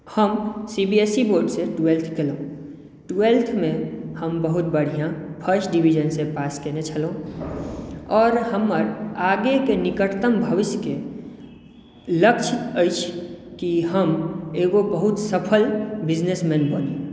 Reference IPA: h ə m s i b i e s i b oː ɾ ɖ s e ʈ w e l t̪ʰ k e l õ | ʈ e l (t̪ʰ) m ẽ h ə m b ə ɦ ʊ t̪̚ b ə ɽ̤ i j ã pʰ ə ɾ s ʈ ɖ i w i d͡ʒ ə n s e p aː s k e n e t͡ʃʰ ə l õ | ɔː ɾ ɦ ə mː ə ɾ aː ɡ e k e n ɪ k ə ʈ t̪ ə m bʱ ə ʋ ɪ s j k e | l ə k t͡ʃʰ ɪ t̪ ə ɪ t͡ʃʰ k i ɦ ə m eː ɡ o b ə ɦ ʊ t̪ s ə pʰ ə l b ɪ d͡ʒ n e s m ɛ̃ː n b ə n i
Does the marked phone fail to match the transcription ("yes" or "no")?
no